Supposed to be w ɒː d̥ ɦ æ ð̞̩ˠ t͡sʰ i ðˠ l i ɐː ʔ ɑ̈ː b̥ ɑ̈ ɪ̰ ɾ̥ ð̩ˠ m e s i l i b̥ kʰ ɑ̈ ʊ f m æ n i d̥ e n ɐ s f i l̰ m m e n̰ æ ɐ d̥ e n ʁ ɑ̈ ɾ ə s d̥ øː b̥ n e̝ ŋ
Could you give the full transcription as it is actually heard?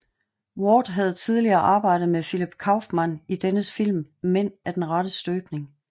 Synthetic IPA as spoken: w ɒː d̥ ɦ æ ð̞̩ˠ t͡sʰ i ðˠ l i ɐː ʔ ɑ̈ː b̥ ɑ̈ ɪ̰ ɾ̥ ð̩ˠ m e f i l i b̥ kʰ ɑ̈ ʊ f m æ n i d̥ e n ə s f i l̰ m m e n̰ æ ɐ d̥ e n ʁ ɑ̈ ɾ ə s d̥ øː b̥ n e̝ ŋ

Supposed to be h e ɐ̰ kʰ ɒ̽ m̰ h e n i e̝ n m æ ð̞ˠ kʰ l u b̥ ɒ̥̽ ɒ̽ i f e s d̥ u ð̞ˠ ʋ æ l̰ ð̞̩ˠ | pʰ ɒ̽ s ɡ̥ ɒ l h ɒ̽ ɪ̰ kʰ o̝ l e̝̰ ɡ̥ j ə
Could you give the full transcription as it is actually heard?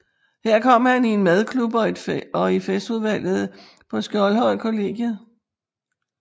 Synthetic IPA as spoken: h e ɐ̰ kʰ ɒ̽ m̰ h æ n i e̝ n m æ ð̞ˠ kʰ l u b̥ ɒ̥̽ ɒ̽ i f e s d̥ u ð̞ˠ ʋ æ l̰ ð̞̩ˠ | pʰ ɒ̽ s ɡ̥ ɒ l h ɒ̽ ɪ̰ kʰ o̝ l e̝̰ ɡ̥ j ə

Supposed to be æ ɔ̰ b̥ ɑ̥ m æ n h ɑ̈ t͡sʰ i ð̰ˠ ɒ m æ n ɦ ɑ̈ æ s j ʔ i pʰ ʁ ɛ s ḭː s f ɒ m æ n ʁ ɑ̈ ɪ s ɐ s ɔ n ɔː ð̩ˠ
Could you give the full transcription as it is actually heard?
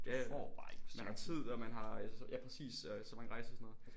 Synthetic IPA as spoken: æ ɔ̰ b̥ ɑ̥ m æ n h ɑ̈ t͡sʰ i ð̰ˠ ɒ m æ n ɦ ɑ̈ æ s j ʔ æ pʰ ʁ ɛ s ḭː s s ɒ m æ n ʁ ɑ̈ ɪ s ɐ s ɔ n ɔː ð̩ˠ

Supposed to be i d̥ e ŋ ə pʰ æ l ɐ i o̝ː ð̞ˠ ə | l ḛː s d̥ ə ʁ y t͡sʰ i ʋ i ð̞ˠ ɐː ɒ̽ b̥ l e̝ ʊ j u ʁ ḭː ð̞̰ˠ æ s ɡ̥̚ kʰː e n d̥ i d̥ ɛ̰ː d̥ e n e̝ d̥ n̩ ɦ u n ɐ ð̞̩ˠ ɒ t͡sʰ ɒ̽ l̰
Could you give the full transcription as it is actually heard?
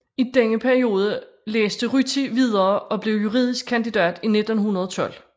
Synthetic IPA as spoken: i d̥ e ŋ ə pʰ æ ɐ i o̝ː ð̞ˠ ə | l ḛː s d̥ ə ʁ y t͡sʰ i ʋ i ð̞ˠ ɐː ɒ̽ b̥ l e̝ ʊ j u ʁ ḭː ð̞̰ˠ i s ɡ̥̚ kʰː æ n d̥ i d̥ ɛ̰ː d̥ i n e̝ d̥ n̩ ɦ u n ɐ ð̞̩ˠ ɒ t͡sʰ ɒ̽ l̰

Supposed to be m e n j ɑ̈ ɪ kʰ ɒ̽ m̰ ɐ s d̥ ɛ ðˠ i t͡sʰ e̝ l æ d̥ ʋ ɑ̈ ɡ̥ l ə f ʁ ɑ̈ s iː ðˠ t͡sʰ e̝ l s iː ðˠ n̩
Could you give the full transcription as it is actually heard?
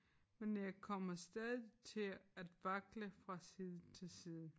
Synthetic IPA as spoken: m e n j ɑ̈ ɪ kʰ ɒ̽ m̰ ɐ s d̥ ɛ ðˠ i t͡sʰ e̝ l æ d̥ ʋ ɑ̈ ɡ̥ l ə f ʁ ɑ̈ s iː ðˠ t͡sʰ e̝ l s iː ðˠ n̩

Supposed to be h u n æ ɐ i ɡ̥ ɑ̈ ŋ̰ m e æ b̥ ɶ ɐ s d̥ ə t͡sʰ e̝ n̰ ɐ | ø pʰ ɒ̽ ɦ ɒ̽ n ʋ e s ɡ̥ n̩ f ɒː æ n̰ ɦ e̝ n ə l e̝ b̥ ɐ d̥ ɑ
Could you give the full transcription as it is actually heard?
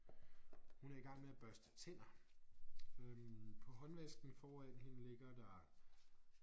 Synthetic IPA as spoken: h u n æ ɐ i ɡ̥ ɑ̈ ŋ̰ m e æ b̥ ɶ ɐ s d̥ ə t͡sʰ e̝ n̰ ɐ | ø pʰ ɒ̽ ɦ ɒ̽ n ʋ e s ɡ̥ n̩ f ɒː æ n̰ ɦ e̝ n ə l e̝ ɡ̥ ɐ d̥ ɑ

